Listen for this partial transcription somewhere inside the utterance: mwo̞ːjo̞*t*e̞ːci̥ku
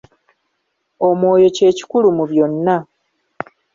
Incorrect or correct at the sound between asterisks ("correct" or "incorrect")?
incorrect